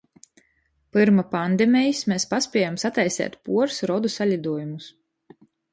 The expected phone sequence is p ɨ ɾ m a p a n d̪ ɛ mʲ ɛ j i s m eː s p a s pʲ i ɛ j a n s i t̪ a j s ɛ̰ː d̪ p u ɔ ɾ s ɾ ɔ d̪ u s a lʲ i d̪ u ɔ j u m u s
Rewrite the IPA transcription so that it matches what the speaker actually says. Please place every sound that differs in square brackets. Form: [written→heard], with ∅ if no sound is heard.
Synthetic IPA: p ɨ ɾ m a p a n d̪ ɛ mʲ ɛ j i s m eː s p a s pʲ i ɛ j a [n→m] s [i→a] t̪ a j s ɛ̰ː [d̪→t̪] p u ɔ ɾ s ɾ ɔ d̪ u s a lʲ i d̪ u ɔ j u m u s